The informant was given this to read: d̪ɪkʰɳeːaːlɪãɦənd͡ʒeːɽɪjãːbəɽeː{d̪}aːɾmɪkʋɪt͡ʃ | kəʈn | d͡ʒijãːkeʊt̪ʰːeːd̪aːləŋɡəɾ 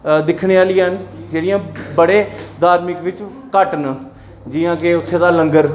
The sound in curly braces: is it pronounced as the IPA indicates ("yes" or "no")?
yes